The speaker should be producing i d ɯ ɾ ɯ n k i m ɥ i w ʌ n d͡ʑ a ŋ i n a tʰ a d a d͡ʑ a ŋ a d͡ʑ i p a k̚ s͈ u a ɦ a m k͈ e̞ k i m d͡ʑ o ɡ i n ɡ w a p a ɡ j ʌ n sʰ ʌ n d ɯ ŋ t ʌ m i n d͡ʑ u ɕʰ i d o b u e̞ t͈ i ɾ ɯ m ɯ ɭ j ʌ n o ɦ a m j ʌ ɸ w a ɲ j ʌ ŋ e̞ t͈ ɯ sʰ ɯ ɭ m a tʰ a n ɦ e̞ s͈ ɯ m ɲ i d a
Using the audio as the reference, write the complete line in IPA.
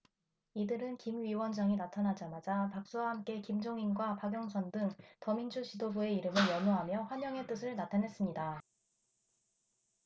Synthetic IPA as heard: i d ɯ ɾ ɯ n k i m ɥ i w ʌ n d͡ʑ a ŋ i n a tʰ a n a d͡ʑ a m a d͡ʑ a p a k̚ s͈ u a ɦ a m k͈ e̞ k i m d͡ʑ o ŋ i n ɡ w a p a ɡ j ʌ ŋ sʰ ʌ n d ɯ ŋ t ʌ m i n d͡ʑ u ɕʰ i d o b u e̞ i ɾ ɯ m ɯ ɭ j ʌ n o ɦ a m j ʌ ɸ w a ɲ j ʌ ŋ e̞ t͈ ɯ sʰ ɯ ɭ n a tʰ a n ɦ e̞ s͈ ɯ m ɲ i d a